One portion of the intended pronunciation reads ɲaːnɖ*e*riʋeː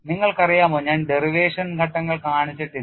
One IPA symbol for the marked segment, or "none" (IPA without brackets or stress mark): e